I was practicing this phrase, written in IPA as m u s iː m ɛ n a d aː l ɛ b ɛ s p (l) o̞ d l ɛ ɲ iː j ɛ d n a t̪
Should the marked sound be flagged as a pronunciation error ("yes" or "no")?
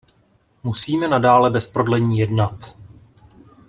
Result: yes